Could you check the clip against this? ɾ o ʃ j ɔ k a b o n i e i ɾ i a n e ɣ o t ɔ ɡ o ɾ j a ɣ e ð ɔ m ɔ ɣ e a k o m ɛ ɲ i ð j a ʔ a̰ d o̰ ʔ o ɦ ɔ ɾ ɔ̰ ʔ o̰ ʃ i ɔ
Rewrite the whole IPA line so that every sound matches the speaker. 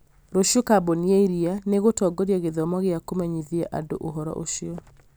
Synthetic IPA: ɾ o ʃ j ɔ k a b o n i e i ɾ i a n e ɣ o t ɔ ɡ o ɾ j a ɣ e ð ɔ m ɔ ɣ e a k o m ɛ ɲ i ð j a ʔ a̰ d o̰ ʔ o ɦ ɔ ɾ ɔ̰ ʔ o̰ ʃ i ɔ